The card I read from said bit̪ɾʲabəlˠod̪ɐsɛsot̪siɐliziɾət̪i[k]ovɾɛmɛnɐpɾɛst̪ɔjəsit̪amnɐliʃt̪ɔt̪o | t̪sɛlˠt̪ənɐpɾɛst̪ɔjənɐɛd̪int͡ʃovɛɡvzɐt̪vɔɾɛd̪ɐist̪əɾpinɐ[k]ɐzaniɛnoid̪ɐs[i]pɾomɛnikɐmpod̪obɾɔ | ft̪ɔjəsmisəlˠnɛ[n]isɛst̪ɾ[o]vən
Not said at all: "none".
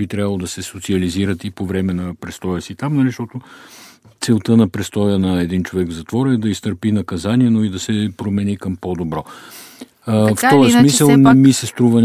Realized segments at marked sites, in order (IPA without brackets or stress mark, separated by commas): p, k, ɛ, m, u